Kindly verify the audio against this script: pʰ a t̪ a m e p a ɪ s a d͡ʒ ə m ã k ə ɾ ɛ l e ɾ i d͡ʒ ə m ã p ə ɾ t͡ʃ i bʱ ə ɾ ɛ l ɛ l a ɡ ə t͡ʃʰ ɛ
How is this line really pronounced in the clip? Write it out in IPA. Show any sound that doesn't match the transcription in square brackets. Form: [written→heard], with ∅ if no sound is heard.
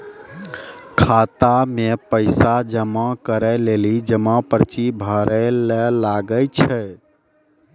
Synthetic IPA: [pʰ→kʰ] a t̪ a m e p [a→ə] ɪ s a d͡ʒ ə m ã k ə ɾ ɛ l e [ɾ→l] i d͡ʒ ə m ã p ə ɾ t͡ʃ i bʱ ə ɾ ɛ l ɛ l a ɡ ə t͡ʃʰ ɛ